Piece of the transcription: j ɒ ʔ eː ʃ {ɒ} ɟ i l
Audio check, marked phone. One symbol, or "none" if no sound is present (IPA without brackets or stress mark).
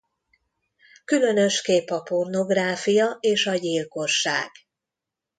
ɒ